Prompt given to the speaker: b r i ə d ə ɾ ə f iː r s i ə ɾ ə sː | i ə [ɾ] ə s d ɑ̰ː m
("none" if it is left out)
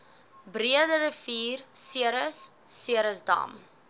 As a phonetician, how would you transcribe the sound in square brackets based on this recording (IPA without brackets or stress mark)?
ɾ